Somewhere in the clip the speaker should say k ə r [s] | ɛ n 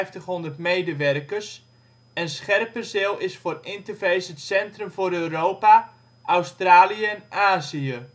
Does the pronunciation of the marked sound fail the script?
no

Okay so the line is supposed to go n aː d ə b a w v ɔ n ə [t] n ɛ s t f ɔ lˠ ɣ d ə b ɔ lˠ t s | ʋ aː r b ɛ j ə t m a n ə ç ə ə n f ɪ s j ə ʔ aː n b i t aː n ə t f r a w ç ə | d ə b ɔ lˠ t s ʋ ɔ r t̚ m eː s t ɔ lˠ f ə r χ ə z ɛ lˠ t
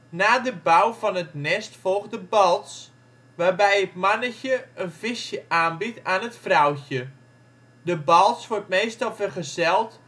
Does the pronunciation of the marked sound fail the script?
no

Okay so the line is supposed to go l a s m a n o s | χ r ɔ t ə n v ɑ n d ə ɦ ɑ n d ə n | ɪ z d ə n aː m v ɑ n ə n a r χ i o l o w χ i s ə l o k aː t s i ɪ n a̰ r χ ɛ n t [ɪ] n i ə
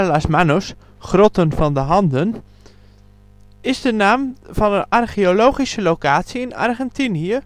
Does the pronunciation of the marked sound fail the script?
yes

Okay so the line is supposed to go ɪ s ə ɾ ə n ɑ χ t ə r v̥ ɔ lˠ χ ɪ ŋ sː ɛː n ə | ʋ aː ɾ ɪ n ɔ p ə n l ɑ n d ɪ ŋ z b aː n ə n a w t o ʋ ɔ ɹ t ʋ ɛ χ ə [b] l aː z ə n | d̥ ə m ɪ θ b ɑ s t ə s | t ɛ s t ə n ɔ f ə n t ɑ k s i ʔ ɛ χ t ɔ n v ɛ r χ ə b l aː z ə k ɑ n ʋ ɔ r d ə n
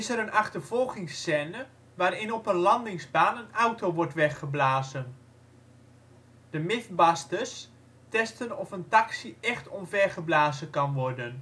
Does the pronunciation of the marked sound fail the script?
no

